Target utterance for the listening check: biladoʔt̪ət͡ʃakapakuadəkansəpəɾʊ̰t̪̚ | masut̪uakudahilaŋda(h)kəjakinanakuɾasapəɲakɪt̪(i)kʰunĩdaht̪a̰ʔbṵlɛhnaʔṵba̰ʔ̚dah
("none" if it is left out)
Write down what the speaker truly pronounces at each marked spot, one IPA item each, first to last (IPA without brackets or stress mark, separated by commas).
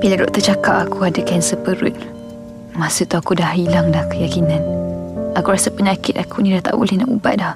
h, a